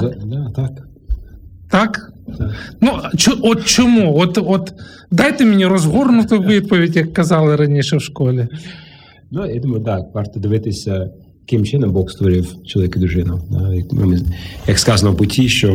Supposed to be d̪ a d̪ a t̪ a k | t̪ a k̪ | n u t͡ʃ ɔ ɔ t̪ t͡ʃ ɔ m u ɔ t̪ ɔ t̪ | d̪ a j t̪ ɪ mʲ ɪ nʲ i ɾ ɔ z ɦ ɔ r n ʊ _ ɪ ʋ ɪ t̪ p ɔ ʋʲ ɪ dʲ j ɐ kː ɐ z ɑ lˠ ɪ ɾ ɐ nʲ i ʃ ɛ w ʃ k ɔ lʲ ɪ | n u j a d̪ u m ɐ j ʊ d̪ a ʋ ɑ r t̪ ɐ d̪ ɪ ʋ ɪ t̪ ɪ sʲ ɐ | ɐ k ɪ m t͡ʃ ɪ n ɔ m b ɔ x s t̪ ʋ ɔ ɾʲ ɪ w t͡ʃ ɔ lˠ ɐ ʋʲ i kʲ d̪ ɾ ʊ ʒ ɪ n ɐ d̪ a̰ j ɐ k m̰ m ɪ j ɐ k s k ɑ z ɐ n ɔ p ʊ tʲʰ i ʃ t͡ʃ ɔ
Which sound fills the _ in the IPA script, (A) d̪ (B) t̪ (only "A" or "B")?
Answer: B